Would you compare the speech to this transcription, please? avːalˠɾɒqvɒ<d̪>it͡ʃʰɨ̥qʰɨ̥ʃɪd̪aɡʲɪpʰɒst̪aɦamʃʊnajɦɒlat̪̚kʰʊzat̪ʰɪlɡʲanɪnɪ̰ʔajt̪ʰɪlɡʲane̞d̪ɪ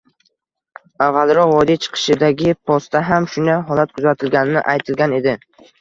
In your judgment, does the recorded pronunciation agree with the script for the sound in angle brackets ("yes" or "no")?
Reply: yes